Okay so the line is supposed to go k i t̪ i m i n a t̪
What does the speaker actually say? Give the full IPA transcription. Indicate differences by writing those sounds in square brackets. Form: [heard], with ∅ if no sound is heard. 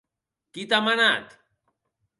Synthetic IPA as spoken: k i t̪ [a] m [a] n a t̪